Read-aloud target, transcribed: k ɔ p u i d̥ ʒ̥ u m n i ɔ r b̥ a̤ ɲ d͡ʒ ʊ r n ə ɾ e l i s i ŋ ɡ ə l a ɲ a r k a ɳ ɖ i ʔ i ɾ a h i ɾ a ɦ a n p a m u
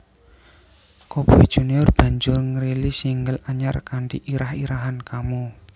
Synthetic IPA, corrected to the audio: k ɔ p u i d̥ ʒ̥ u n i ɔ r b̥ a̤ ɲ d͡ʒ ʊ r ŋ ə ɾ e l i s i ŋ ɡ ə l a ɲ a r k a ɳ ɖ i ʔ i ɾ a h i ɾ a ɦ a n k a m u